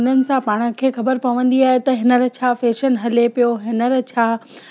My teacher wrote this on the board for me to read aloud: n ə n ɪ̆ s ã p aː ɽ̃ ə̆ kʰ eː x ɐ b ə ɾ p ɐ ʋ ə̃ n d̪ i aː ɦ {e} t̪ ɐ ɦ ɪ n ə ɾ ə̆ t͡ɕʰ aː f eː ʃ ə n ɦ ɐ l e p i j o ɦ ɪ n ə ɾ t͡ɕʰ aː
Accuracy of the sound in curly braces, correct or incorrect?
correct